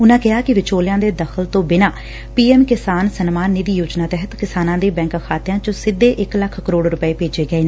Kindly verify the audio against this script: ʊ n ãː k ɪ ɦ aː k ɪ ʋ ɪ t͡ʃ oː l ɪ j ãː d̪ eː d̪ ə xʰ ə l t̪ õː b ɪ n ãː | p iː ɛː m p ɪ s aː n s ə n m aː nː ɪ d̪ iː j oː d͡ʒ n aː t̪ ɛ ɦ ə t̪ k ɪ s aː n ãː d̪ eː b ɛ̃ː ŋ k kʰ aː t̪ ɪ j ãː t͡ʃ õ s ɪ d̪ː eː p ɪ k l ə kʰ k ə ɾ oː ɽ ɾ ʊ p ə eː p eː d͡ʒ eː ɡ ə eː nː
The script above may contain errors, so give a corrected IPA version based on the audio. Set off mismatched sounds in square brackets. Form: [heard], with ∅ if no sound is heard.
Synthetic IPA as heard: ʊ n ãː k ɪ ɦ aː k ɪ ʋ ɪ t͡ʃ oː l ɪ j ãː d̪ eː d̪ ə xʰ ə l t̪ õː b ɪ n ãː | p iː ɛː m [k] ɪ s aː n s ə n m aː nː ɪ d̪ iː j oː d͡ʒ n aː t̪ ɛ ɦ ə t̪ k ɪ s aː n ãː d̪ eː b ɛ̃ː ŋ k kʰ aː t̪ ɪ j ãː t͡ʃ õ s ɪ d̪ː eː [ʔ] ɪ k l ə kʰ k ə ɾ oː ɽ ɾ ʊ p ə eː p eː d͡ʒ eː ɡ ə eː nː